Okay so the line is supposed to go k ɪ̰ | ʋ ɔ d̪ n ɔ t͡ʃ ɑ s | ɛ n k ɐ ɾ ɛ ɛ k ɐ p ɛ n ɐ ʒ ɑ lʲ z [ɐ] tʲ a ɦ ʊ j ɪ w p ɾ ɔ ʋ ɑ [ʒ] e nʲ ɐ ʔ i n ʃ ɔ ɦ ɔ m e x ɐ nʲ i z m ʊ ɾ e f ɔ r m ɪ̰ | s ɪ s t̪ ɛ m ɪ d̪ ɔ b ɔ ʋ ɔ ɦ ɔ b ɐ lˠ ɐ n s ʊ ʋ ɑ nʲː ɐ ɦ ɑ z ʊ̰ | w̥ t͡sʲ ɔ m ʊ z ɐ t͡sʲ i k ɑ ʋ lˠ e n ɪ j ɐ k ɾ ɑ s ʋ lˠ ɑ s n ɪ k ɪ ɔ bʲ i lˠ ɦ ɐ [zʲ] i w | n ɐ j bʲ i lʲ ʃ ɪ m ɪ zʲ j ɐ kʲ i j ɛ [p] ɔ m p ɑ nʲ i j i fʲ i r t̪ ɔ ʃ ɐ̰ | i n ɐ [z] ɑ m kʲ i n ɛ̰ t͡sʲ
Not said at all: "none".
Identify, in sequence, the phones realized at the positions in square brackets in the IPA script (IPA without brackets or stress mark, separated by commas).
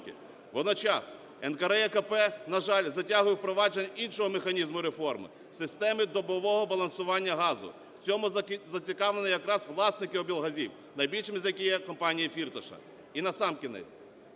ɐ, d͡ʒ, zʲ, k, s